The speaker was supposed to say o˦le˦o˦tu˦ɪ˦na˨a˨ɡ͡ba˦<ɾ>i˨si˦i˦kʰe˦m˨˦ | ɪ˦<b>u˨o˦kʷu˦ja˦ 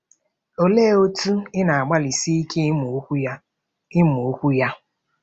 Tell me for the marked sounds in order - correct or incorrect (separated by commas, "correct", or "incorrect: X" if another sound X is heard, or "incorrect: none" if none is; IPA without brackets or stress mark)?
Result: incorrect: l, incorrect: m